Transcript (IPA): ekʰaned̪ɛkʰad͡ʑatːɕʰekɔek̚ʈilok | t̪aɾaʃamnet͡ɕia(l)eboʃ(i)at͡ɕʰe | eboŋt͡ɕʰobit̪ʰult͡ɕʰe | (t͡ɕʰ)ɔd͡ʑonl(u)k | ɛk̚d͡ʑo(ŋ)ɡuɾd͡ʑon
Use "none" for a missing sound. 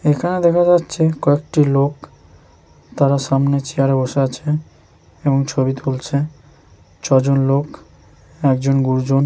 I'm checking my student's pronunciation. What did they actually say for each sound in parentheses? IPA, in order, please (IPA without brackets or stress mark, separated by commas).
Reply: ɾ, e, t͡ɕʰ, o, n